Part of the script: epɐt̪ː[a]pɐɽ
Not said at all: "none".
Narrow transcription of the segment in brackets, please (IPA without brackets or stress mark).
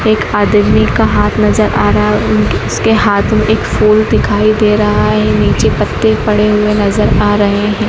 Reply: e